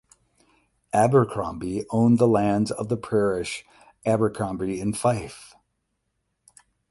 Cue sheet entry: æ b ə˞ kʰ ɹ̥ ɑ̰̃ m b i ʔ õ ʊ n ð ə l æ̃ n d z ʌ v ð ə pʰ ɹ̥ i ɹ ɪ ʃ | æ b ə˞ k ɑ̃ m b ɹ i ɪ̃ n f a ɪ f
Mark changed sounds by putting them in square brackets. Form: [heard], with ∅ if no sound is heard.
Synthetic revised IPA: æ b ə˞ kʰ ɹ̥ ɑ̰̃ m b i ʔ õ [ʊ̃] n ð ə l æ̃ n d z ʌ v ð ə pʰ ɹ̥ [ɛ] ɹ ɪ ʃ | æ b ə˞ [kʰ] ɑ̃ m b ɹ i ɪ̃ n f a ɪ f